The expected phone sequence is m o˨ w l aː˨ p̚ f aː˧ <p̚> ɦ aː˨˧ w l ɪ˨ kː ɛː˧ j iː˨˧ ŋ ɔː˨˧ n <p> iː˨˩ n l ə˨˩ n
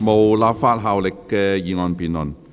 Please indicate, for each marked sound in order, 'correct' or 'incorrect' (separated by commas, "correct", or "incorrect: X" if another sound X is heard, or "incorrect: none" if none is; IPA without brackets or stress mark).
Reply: incorrect: t̚, correct